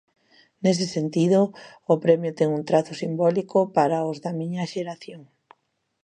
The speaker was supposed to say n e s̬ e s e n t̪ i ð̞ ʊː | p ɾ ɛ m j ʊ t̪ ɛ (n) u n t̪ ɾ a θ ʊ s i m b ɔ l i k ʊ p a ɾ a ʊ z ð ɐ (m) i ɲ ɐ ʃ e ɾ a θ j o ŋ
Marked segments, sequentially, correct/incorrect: incorrect: ŋ, correct

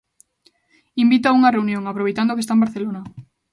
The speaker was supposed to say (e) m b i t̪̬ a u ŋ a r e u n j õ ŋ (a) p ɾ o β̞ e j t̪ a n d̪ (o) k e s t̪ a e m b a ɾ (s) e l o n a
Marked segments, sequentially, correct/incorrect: incorrect: i, correct, correct, incorrect: θ

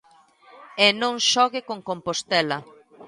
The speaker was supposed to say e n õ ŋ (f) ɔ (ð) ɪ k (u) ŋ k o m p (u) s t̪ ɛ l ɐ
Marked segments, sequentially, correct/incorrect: incorrect: ʃ, incorrect: ɣ, incorrect: o, incorrect: o

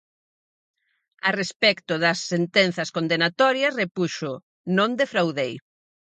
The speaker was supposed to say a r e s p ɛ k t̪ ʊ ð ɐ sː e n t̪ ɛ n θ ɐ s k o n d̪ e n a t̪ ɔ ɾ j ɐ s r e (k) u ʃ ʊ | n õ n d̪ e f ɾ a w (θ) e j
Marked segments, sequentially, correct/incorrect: incorrect: p, incorrect: ð

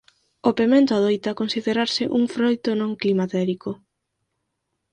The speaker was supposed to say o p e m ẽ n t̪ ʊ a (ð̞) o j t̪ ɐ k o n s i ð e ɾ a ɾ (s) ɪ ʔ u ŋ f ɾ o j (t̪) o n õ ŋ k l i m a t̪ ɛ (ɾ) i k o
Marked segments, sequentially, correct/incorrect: correct, correct, correct, correct

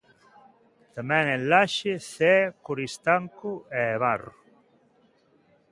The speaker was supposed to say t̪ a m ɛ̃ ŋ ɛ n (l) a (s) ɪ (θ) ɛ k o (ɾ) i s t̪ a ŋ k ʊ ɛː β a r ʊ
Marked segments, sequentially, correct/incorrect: correct, incorrect: ʃ, correct, correct

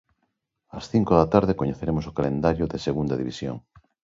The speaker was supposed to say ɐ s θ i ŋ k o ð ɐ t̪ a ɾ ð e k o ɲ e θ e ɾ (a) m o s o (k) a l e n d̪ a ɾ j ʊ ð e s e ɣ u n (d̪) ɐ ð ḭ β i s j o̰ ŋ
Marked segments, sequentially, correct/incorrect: incorrect: e, correct, correct

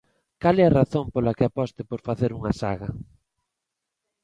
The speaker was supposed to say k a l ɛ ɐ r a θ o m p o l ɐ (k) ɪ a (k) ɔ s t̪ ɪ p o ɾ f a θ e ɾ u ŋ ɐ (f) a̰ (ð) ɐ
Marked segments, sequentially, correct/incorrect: correct, incorrect: p, incorrect: s, incorrect: ɣ

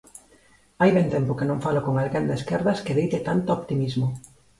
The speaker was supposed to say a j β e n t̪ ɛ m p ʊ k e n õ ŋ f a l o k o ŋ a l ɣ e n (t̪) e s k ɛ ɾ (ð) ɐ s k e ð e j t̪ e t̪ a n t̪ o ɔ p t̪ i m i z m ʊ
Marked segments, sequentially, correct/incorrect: incorrect: d̪, correct

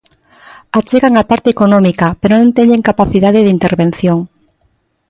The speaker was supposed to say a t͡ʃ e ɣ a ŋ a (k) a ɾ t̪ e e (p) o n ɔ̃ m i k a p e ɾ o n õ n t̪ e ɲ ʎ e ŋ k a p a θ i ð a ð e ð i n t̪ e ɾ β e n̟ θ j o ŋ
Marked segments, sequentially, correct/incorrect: incorrect: p, incorrect: k

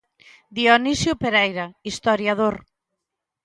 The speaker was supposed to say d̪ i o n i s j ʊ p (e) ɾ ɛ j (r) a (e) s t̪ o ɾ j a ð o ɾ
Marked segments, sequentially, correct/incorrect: correct, incorrect: ɾ, incorrect: i

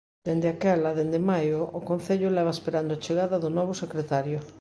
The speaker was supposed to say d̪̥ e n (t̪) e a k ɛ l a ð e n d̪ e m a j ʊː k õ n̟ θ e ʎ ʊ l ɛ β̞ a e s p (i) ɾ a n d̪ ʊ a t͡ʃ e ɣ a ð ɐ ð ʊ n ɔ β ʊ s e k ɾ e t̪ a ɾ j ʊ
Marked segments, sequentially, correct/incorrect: incorrect: d̪, incorrect: e

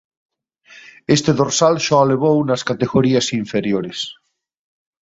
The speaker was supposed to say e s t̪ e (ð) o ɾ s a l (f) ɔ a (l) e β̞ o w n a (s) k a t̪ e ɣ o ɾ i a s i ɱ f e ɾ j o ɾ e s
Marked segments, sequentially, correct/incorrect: correct, incorrect: ʃ, correct, correct

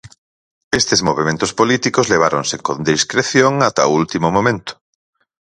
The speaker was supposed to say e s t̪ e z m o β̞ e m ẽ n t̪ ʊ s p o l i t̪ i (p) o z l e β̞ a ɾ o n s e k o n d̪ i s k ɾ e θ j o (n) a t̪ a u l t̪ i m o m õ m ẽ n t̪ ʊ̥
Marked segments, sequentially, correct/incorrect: incorrect: k, incorrect: ŋ

